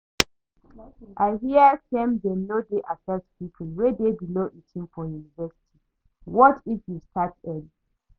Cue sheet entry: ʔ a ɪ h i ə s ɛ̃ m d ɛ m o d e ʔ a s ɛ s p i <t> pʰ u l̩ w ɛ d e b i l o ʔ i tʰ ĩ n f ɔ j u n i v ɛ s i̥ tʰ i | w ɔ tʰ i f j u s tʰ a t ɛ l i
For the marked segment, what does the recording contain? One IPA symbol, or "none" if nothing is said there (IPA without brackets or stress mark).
none